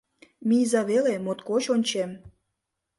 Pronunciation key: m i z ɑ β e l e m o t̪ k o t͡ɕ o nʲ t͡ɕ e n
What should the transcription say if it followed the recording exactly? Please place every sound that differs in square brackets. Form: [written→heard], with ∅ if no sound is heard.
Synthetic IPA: m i z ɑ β e l e m o t̪ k o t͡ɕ o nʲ t͡ɕ e [n→m]